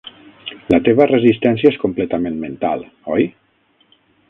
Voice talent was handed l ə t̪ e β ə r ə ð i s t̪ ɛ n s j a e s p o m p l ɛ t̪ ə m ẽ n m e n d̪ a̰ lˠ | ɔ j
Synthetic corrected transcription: l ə t̪ e β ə r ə z i s t̪ ɛ n s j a e s k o m p l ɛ t̪ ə m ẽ n m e n t̪ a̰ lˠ | ɔ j